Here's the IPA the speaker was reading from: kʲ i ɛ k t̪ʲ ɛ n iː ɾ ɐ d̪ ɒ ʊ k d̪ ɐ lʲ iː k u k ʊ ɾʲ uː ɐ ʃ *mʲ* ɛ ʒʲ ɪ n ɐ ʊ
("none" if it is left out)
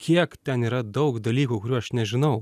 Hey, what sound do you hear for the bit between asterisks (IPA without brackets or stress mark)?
nʲ